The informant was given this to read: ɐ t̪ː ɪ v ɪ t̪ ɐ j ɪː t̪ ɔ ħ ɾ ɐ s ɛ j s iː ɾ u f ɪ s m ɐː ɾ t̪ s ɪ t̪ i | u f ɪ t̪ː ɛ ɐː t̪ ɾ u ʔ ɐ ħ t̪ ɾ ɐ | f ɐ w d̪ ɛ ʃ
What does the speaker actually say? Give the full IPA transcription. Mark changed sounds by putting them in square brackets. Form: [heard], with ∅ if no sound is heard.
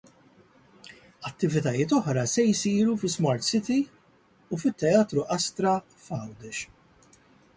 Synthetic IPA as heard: ɐ t̪ː ɪ v ɪ t̪ ɐ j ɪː t̪ ɔ ħ ɾ ɐ s ɛ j s iː ɾ u f ɪ s m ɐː ɾ t̪ s ɪ t̪ i | u f ɪ t̪ː ɛ ɐː t̪ ɾ u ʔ ɐ [s] t̪ ɾ ɐ | f ɐ w d̪ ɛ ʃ